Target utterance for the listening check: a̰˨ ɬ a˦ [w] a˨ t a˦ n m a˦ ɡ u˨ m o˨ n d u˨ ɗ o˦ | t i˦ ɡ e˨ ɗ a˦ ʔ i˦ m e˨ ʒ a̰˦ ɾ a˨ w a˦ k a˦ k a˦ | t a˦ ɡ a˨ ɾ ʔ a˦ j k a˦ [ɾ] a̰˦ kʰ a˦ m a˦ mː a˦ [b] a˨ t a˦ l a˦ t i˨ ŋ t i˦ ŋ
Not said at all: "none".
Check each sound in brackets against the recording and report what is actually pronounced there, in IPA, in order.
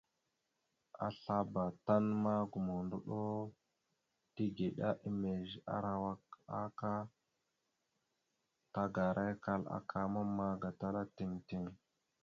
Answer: b, l, ɡ

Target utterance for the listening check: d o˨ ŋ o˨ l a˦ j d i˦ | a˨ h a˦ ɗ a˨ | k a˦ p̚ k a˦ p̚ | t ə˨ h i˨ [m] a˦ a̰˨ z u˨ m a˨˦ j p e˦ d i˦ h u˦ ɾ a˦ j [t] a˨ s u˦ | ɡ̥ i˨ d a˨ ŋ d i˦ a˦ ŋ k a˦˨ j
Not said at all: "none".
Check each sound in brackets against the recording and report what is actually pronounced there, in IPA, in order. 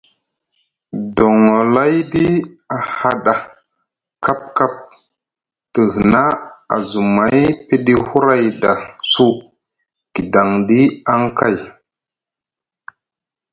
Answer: n, d

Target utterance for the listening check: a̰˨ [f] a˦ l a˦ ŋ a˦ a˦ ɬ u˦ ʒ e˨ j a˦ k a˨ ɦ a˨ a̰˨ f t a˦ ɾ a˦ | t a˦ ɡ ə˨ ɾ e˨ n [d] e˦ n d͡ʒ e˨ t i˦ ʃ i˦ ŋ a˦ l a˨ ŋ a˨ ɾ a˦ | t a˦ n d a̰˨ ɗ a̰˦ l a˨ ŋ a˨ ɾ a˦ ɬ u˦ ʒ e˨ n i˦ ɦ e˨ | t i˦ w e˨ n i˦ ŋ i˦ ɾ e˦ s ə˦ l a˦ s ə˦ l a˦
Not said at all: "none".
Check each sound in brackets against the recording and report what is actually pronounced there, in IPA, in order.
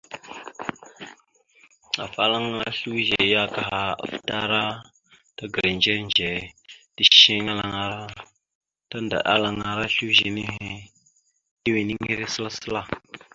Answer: f, d͡ʒ

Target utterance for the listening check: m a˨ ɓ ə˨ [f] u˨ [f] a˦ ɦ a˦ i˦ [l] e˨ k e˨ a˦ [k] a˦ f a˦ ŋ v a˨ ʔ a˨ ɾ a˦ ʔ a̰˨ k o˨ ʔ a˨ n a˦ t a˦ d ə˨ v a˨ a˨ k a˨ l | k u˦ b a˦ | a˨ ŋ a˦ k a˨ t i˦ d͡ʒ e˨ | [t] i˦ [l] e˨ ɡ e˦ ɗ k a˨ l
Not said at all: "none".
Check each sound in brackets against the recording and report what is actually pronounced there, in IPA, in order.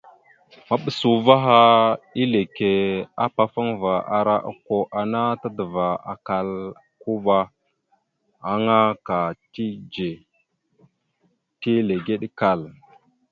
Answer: s, v, l, p, t, l

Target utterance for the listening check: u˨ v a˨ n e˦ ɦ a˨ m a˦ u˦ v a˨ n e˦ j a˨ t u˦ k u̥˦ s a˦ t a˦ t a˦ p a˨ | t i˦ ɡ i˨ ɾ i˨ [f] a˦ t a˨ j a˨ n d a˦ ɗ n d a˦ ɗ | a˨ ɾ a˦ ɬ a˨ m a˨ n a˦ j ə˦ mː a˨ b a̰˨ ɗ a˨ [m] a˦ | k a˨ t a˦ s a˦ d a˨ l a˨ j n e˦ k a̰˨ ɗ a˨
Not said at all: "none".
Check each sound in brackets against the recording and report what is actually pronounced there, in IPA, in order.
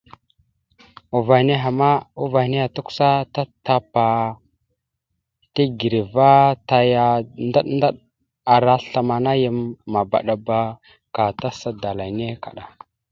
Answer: v, b

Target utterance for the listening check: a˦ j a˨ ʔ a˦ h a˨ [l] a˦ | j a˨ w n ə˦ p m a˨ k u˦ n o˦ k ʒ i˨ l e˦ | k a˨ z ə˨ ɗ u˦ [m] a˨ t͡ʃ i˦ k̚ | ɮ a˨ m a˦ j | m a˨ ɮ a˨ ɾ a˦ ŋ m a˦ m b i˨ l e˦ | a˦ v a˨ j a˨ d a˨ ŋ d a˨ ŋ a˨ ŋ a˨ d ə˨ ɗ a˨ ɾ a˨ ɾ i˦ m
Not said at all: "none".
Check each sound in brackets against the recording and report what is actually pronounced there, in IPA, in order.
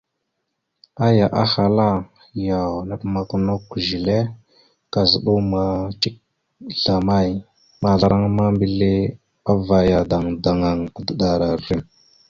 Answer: l, m

